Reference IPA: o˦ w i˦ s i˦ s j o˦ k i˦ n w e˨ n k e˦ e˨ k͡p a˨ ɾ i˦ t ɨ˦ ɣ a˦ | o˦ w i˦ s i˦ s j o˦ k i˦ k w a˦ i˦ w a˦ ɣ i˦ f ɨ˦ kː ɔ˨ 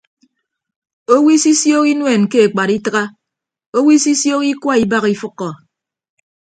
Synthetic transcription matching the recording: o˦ w i˦ s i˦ s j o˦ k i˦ n w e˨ n k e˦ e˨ k͡p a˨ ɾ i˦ t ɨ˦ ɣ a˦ | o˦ w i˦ s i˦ s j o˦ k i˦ k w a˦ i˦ b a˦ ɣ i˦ f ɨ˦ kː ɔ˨

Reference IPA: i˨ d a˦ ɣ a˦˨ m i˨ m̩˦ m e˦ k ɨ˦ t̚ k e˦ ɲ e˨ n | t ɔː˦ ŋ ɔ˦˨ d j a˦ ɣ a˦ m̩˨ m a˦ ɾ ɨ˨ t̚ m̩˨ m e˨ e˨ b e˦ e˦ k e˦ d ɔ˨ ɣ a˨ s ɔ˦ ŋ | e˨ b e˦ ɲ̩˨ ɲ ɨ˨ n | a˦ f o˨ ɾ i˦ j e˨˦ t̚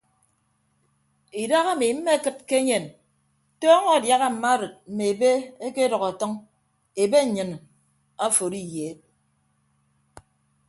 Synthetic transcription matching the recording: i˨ d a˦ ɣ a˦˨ m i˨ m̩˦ m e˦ k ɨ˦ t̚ k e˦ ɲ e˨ n | t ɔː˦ ŋ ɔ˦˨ d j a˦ ɣ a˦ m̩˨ m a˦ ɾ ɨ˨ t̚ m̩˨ m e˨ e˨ b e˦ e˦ k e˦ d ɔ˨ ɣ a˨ t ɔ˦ ŋ | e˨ b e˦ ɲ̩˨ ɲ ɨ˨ n | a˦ f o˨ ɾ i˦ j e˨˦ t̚

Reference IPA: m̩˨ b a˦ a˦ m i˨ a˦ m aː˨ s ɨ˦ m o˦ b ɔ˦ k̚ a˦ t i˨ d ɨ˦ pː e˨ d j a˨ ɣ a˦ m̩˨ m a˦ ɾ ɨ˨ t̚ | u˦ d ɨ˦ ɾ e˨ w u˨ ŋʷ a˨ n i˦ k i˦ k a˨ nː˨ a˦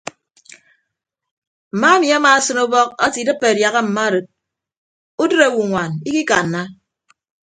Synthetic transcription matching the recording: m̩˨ m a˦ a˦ m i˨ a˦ m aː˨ s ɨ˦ n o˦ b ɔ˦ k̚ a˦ t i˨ d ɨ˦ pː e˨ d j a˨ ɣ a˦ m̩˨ m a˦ ɾ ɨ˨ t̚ | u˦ d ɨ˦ ɾ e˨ w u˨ ŋʷ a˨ n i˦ k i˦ k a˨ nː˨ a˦

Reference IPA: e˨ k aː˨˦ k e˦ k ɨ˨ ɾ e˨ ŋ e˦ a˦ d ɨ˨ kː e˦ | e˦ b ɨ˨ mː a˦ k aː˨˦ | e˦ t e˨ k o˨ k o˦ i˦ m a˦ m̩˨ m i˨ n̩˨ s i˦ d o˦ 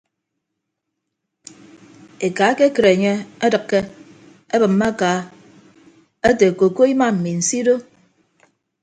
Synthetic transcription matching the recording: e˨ k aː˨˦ k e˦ k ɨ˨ ɾ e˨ ɲ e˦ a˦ d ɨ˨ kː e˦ | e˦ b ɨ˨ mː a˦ k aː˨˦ | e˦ t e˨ k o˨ k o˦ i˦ m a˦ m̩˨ m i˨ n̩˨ s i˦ d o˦

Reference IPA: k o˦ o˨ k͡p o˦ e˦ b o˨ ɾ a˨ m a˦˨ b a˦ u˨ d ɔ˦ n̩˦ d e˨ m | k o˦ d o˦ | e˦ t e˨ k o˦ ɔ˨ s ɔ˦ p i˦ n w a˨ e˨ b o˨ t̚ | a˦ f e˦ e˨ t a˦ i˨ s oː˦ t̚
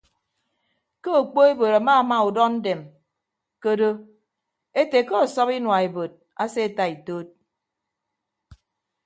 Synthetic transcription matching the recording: k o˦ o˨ k͡p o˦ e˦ b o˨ ɾ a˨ m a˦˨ m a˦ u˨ d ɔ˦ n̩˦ d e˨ m | k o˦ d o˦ | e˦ t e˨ k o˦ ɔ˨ s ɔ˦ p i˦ n w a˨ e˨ b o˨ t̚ | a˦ s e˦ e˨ t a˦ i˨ t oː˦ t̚

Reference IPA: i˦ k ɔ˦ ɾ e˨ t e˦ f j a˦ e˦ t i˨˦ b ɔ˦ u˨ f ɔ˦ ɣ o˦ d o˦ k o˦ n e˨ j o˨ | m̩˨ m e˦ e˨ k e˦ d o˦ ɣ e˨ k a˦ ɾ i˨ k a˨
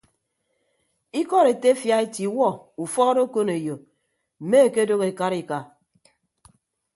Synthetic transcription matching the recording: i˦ k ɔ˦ ɾ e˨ t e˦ f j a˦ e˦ t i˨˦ w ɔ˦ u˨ f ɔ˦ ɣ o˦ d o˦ k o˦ n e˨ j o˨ | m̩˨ m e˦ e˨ k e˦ d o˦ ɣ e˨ k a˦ ɾ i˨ k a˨

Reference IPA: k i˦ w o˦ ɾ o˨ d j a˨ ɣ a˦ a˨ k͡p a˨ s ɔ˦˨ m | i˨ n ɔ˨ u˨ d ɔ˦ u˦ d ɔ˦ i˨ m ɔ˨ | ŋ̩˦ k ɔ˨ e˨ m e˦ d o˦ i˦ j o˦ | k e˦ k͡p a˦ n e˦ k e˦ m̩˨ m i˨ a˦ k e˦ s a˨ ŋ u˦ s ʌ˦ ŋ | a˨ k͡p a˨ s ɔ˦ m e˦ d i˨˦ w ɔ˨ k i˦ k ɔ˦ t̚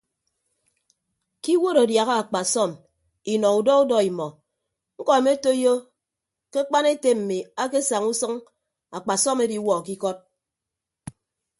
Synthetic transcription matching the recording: k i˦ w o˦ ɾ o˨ d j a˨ ɣ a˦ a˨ k͡p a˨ s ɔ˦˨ m | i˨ n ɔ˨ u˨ d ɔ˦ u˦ d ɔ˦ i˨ m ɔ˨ | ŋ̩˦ k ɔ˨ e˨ m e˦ t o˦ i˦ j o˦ | k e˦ k͡p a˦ n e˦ t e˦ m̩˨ m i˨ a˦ k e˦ s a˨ ŋ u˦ s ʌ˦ ŋ | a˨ k͡p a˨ s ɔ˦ m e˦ d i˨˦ w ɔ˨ k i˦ k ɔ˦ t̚

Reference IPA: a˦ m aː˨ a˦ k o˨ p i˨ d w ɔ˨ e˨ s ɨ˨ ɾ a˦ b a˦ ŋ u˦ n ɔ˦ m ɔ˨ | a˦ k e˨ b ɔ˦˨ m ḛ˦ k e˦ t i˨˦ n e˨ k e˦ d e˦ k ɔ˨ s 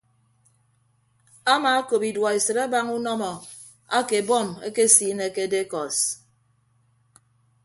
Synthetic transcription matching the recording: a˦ m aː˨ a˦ k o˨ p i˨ d w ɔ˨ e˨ s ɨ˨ ɾ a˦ b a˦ ŋ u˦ n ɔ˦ m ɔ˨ | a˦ k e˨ b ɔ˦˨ m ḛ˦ k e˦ s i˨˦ n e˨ k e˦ d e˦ k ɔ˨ s

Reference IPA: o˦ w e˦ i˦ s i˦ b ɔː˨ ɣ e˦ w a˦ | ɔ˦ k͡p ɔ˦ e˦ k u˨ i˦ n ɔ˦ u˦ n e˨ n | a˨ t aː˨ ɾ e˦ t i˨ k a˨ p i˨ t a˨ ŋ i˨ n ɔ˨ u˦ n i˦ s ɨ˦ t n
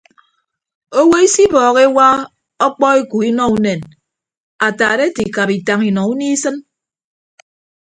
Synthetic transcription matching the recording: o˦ w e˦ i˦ s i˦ b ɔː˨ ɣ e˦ w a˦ | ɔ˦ k͡p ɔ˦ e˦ k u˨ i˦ n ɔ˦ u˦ n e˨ n | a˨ t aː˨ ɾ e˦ t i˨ k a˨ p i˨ t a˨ ŋ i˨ n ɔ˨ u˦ n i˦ s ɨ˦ n

